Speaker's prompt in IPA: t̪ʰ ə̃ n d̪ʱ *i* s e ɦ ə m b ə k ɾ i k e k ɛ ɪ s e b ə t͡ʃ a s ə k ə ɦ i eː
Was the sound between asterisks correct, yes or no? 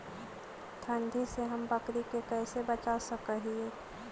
yes